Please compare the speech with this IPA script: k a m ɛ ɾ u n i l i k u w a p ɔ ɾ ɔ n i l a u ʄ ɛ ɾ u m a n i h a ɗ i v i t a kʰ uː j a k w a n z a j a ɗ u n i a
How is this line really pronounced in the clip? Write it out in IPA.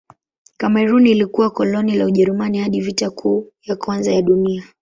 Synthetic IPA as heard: k a m ɛ ɾ u n i l i k u w a k ɔ l ɔ n i l a u ʄ ɛ ɾ u m a n i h a ɗ i v i t a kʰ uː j a k w a n z a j a ɗ u n i a